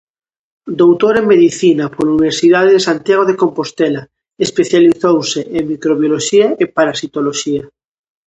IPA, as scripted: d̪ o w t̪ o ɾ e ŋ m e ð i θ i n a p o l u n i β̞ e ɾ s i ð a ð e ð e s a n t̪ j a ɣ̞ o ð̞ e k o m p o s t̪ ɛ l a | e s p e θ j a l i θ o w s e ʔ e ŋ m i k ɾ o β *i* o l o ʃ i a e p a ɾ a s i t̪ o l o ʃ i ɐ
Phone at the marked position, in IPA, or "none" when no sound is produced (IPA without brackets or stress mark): j